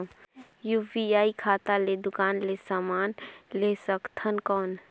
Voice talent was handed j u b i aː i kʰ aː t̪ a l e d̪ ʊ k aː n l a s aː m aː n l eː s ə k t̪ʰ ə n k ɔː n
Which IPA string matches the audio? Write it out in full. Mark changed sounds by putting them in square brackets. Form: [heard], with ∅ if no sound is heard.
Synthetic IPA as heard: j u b i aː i kʰ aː t̪ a l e d̪ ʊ k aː n l [e] s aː m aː n l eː s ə k t̪ʰ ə n k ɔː n